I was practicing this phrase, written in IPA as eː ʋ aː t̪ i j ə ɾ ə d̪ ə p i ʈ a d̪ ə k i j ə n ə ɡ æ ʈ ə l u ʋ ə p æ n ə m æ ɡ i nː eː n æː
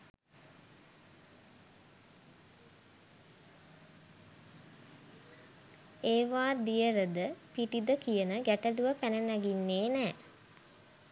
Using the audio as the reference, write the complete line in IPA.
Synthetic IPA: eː ʋ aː d̪ i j ə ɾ ə d̪ ə p i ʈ i d̪ ə k i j ə n ə ɡ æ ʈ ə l u ʋ ə p æ n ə n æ ɡ i nː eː n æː